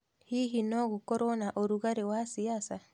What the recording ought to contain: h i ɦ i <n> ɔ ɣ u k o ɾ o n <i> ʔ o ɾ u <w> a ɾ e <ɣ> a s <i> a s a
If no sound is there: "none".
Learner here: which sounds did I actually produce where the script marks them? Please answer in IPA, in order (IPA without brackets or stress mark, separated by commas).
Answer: n, a, ɣ, w, i